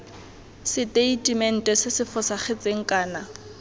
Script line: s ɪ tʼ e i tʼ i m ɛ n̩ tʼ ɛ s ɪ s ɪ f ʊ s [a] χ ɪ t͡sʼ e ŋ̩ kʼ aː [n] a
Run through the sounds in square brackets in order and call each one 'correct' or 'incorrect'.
correct, correct

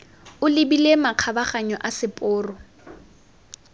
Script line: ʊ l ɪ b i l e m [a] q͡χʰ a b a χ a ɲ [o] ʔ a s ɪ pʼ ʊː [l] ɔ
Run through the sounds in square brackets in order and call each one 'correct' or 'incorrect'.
correct, incorrect, incorrect

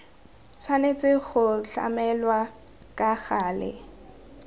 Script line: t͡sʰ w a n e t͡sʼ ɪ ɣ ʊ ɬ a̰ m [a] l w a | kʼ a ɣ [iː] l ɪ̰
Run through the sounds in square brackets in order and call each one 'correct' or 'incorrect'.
incorrect, incorrect

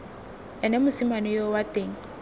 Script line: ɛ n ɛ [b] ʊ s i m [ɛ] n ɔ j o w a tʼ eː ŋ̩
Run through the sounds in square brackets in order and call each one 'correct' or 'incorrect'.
incorrect, incorrect

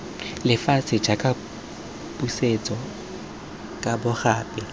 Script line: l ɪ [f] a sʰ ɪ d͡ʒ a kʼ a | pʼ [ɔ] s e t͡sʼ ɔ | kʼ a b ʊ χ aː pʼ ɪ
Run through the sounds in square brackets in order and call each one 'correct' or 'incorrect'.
correct, incorrect

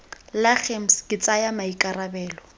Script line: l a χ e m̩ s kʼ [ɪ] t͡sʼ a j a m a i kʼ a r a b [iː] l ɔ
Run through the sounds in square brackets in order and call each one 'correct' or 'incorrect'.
correct, incorrect

